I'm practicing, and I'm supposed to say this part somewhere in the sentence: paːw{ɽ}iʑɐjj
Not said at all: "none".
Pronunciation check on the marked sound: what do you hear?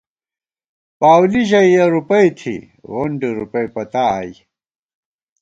l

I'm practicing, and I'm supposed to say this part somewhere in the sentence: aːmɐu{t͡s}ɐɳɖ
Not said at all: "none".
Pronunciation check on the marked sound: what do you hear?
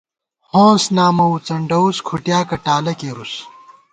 t͡s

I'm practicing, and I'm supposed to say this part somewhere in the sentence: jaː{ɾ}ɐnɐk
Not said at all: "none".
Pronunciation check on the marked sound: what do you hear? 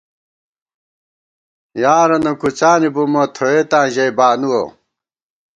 ɾ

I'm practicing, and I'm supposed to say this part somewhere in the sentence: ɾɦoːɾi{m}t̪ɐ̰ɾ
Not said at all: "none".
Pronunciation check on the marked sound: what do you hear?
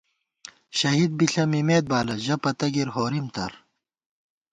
m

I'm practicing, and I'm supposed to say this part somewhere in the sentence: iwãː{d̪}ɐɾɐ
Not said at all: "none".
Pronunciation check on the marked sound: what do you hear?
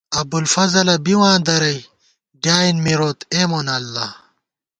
d̪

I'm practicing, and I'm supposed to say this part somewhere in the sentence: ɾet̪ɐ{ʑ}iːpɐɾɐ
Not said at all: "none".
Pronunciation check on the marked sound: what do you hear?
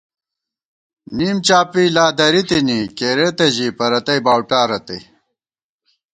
ʑ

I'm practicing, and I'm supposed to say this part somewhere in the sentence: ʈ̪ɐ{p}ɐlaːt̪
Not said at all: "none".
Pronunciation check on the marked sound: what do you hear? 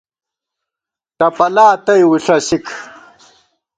p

